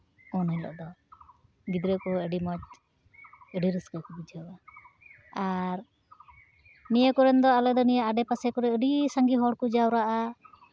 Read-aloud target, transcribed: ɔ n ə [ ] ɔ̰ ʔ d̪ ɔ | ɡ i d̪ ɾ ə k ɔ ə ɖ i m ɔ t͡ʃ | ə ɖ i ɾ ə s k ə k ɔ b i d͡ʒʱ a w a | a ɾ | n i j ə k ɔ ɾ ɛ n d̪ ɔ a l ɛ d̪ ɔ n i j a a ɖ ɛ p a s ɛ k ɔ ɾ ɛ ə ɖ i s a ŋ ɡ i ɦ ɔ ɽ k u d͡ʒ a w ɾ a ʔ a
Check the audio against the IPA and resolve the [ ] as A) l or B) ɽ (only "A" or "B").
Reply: A